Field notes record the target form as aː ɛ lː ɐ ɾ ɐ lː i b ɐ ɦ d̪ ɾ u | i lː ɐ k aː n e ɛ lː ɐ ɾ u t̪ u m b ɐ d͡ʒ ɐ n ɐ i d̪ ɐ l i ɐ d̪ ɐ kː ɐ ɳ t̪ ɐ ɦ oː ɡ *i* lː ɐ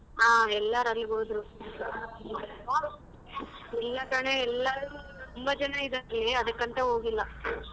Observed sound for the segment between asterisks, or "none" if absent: i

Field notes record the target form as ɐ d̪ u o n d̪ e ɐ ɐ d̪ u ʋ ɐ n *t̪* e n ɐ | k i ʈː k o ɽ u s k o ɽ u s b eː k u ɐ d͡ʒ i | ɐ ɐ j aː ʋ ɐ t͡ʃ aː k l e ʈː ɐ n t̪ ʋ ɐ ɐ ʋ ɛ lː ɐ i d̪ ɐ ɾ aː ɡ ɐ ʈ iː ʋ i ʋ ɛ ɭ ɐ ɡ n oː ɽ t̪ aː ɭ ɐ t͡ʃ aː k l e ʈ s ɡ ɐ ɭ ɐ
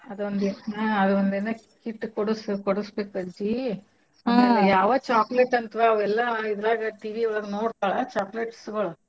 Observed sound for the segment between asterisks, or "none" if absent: d̪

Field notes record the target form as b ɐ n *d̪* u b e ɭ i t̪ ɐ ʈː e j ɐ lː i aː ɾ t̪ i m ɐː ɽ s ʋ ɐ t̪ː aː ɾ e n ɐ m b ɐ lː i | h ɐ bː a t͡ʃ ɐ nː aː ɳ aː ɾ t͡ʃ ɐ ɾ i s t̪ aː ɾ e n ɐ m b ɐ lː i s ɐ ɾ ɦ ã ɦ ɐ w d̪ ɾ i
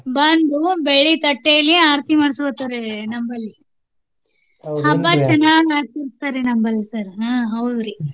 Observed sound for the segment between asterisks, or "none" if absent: d̪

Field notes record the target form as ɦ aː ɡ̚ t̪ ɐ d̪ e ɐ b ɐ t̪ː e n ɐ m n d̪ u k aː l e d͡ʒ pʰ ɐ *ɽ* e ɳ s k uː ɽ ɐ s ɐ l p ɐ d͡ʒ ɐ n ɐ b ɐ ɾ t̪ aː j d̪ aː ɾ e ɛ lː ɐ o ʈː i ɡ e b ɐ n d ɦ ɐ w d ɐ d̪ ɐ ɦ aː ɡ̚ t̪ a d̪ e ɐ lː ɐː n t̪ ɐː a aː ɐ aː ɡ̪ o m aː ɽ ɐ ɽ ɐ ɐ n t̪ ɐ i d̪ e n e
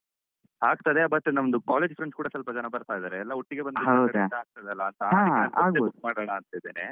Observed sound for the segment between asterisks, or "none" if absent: ɾ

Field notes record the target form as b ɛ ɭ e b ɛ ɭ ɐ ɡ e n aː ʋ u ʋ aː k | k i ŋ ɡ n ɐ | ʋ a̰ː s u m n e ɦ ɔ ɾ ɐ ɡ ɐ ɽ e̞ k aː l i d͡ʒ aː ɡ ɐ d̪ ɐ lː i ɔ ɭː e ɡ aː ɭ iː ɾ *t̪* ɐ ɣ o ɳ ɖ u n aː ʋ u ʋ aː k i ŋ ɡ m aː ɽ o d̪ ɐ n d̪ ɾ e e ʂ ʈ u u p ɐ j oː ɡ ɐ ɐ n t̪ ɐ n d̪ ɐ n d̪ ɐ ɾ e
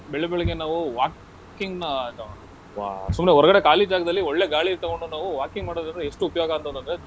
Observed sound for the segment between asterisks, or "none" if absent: t̪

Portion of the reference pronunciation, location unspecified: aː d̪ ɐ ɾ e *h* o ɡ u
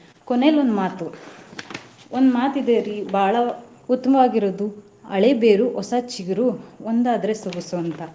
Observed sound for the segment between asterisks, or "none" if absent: s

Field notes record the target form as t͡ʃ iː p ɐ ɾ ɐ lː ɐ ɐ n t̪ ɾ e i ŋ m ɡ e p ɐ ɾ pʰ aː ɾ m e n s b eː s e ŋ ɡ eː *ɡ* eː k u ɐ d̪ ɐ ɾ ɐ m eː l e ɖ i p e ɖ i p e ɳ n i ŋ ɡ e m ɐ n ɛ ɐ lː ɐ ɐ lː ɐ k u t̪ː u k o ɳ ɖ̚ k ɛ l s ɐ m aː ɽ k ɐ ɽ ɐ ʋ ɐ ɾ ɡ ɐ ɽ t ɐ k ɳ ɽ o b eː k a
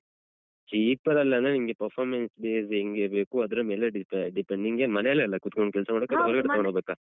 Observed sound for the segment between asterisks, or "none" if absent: b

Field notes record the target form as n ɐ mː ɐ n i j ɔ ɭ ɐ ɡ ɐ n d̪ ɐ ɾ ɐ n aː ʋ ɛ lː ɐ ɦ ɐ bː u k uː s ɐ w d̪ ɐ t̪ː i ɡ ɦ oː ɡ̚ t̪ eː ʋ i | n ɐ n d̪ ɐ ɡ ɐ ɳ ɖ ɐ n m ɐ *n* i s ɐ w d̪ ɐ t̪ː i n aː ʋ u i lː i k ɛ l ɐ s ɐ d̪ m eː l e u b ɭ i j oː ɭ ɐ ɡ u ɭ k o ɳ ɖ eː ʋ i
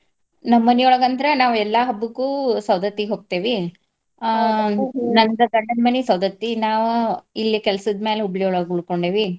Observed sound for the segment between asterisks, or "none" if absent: n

